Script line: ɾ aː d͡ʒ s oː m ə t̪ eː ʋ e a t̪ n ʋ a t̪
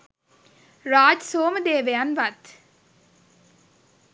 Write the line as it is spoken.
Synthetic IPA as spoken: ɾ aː d͡ʒ s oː m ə d̪ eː ʋ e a n ʋ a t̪